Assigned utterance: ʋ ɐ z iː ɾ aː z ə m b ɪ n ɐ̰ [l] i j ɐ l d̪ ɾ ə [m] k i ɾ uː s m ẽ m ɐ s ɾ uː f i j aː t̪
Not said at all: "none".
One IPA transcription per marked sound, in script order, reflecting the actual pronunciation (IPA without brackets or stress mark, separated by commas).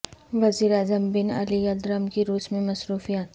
l, m